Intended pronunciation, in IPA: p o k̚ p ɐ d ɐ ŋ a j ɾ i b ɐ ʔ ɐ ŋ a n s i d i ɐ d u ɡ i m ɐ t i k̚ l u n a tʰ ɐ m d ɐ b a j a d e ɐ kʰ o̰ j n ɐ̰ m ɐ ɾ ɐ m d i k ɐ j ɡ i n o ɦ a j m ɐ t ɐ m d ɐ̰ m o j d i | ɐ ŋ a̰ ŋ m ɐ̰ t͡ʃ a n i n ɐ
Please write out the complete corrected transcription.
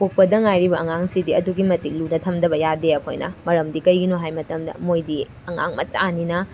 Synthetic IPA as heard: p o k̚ p ɐ d ɐ ŋ a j ɾ i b ɐ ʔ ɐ ŋ a ŋ s i d i ɐ d u ɡ i m ɐ t i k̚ l u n ɐ tʰ ɐ m d ɐ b ɐ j a d e ɐ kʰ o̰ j n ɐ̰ m ɐ ɾ ɐ m d i k ɐ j ɡ i n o ɦ a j m ɐ t ɐ m d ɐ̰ m o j d i | ɐ ŋ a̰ ŋ m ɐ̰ t͡ʃ a n i n ɐ